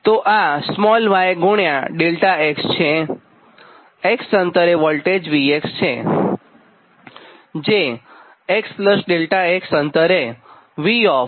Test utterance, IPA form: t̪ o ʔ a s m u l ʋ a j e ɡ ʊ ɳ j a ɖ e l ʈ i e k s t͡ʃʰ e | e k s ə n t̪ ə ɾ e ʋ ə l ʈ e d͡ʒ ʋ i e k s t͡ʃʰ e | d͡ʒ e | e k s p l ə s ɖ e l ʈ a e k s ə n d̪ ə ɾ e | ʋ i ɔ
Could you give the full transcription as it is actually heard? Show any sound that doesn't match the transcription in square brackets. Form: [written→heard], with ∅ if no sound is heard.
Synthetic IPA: t̪ o ʔ a s m [u→ɔ] l ʋ a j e ɡ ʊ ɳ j a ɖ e l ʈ [i→a] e k s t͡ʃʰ e | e k s ə n t̪ ə ɾ e ʋ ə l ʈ e d͡ʒ ʋ i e k s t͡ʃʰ e | d͡ʒ e | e k s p l ə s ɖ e l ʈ a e k s ə n [d̪→t̪] ə ɾ e | ʋ i ɔ